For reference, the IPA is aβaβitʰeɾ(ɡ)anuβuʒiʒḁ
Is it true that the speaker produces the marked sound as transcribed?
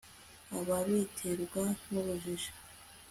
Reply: yes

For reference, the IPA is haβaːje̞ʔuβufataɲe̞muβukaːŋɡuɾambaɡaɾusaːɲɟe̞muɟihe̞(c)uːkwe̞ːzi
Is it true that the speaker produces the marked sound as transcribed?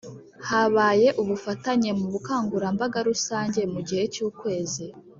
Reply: yes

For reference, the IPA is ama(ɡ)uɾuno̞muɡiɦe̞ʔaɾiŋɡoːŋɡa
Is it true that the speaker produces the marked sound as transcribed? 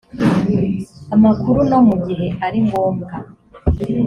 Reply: no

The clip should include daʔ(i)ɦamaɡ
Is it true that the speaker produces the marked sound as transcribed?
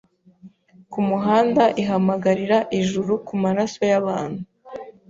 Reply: yes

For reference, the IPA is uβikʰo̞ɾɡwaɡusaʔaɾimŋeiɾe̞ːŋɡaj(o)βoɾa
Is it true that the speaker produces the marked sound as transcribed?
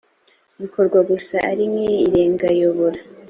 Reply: yes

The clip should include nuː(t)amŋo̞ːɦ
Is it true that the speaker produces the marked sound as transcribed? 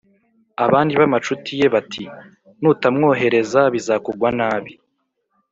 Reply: yes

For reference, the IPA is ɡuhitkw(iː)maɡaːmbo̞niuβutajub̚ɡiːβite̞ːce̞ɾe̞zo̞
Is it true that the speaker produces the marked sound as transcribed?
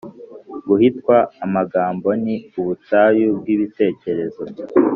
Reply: no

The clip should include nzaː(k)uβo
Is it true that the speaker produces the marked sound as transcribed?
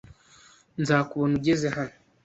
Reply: yes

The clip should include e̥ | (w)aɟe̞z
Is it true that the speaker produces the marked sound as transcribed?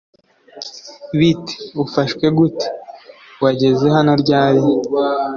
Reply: yes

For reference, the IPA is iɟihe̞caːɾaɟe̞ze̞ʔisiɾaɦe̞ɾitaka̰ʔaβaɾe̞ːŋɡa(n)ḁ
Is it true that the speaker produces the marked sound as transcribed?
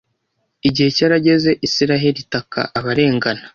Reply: yes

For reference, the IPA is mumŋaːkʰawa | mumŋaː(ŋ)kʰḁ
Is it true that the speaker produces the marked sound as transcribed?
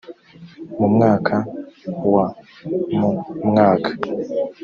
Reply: no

